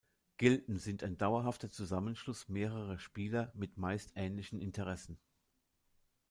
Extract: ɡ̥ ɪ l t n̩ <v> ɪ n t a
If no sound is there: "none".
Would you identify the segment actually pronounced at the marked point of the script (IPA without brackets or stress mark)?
z